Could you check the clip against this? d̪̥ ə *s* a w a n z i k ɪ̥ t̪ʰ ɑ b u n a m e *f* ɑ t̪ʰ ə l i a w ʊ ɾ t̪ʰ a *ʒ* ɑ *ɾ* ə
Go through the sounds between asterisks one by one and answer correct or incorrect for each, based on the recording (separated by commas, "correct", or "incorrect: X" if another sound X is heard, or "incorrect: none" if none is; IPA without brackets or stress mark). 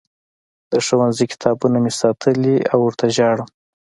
incorrect: ʂ, incorrect: s, correct, incorrect: ɽ